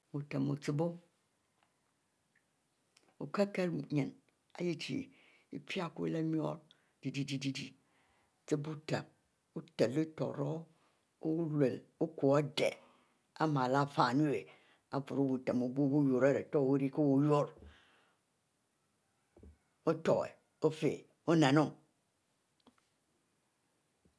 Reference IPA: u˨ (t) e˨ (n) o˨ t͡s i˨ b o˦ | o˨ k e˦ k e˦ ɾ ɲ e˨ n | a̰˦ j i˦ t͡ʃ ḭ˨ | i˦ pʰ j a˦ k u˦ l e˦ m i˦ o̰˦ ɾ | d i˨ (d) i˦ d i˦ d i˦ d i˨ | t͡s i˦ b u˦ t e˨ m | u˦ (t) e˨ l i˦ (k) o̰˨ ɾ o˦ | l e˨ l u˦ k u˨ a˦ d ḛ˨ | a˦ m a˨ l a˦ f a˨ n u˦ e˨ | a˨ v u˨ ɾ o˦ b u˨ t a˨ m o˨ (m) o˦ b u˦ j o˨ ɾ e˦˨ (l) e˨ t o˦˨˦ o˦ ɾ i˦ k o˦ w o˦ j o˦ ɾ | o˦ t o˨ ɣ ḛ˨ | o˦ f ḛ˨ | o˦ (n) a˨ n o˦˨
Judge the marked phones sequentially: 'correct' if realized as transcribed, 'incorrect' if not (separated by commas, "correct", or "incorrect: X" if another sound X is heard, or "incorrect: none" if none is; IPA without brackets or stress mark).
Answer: correct, incorrect: m, correct, correct, incorrect: t, incorrect: b, incorrect: ɾ, correct